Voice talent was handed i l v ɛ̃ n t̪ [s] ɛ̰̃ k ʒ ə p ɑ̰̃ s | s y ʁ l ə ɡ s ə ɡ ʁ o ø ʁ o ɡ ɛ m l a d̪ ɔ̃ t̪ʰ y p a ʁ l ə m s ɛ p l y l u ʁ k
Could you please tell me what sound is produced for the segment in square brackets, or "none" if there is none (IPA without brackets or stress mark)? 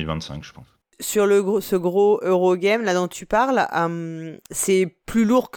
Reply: s